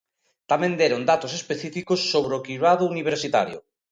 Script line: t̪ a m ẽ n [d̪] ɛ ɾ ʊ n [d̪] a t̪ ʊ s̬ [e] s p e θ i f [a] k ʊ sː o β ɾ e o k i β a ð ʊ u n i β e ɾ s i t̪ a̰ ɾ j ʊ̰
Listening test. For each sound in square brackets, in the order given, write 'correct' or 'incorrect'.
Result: correct, correct, correct, incorrect

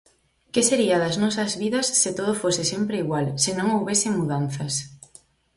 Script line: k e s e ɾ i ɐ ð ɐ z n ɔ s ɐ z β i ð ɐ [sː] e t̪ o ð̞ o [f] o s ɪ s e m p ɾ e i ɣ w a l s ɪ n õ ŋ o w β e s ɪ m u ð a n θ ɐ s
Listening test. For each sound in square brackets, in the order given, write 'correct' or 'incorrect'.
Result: correct, correct

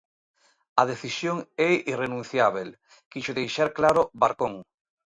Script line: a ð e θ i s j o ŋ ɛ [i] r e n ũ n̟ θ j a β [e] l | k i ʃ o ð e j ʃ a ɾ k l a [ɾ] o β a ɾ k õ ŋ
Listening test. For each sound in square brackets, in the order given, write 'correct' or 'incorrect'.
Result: correct, correct, correct

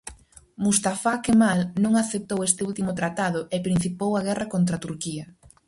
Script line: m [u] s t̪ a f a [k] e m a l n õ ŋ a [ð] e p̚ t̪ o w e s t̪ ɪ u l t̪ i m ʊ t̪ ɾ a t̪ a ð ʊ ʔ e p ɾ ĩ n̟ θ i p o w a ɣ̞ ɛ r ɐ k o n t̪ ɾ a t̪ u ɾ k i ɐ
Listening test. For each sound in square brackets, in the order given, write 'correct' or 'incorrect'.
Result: correct, correct, incorrect

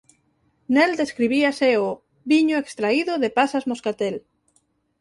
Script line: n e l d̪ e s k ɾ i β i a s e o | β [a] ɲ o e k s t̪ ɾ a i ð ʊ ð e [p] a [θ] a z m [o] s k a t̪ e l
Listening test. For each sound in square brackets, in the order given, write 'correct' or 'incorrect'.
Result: incorrect, correct, incorrect, correct

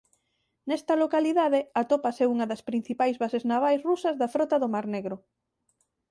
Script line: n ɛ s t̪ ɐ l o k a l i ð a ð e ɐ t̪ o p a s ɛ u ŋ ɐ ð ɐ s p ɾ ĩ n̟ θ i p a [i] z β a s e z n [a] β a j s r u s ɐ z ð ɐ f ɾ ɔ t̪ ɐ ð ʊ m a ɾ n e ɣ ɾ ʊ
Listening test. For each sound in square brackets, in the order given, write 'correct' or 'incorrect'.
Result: incorrect, correct

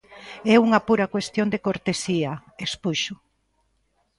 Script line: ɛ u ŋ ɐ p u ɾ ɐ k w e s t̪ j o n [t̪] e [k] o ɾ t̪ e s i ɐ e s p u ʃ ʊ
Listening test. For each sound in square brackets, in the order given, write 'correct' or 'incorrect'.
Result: incorrect, correct

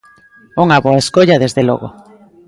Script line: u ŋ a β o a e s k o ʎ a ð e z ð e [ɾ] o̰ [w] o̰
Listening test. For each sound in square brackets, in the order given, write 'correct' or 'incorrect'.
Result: incorrect, incorrect

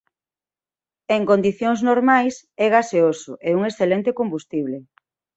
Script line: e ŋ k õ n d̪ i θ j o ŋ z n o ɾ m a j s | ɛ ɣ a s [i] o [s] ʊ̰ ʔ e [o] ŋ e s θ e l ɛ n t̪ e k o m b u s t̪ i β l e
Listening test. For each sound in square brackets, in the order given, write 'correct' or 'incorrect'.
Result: incorrect, correct, incorrect

